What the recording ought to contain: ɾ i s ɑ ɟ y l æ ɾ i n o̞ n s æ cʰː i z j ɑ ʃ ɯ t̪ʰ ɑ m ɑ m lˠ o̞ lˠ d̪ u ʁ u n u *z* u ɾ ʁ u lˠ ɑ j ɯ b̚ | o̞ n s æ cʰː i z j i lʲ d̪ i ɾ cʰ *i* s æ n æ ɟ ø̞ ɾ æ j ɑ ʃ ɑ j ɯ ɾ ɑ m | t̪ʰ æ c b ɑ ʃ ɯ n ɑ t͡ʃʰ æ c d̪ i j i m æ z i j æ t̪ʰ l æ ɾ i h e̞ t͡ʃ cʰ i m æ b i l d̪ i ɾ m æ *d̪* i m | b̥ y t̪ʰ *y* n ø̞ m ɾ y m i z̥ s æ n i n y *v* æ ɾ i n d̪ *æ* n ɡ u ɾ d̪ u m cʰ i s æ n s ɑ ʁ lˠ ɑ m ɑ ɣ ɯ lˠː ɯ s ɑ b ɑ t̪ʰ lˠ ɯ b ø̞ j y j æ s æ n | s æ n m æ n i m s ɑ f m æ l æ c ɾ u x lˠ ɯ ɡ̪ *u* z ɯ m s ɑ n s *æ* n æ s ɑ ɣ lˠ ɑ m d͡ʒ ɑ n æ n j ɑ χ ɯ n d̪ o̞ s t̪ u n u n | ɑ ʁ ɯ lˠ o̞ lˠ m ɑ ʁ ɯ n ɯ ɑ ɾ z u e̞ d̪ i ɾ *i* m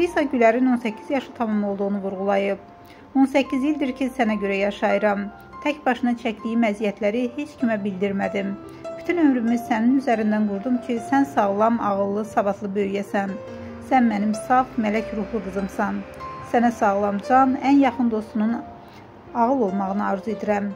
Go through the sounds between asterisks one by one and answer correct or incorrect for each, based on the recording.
incorrect, correct, correct, correct, incorrect, correct, incorrect, correct, incorrect

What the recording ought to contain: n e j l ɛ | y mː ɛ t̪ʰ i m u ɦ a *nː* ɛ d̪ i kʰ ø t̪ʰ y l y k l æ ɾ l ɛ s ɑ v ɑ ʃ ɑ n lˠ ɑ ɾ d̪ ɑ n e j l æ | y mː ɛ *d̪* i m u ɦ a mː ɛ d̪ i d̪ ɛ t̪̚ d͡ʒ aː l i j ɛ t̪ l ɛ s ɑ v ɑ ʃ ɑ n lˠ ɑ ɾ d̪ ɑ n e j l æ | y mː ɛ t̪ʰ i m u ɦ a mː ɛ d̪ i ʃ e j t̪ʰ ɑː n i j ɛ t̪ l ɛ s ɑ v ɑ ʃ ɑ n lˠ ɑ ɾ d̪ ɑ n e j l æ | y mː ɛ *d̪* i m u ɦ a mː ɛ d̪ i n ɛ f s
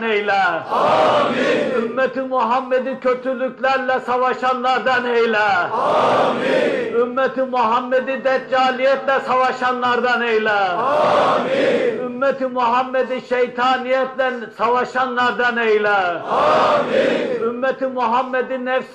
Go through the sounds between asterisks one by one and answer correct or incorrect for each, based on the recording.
incorrect, incorrect, incorrect

